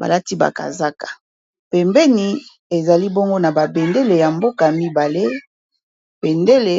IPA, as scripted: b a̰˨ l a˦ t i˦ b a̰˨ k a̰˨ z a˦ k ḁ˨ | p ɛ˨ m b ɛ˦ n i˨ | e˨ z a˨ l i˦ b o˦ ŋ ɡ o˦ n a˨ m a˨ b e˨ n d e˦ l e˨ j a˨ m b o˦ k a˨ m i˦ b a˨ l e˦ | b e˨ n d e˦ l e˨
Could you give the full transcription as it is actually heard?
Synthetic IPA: b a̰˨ l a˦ t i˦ b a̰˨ k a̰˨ z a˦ k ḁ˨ | p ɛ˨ m b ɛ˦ n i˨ | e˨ z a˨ l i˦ b o˦ ŋ ɡ o˦ n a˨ b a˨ b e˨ n d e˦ l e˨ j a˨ m b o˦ k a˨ m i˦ b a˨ l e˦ | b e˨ n d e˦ l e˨